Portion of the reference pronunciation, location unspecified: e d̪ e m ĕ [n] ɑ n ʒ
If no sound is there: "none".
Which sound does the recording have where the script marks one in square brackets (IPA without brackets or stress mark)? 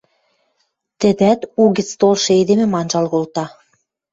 m